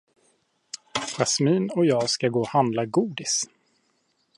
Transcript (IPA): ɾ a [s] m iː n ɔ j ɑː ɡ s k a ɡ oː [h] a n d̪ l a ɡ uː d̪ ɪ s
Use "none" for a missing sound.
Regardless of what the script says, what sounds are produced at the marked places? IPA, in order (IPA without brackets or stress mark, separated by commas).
s, h